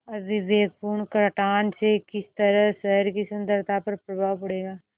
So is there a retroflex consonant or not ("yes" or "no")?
yes